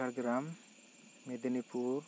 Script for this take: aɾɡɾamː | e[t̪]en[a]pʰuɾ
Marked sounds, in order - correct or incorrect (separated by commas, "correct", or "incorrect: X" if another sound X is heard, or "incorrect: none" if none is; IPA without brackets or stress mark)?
incorrect: d̪, incorrect: i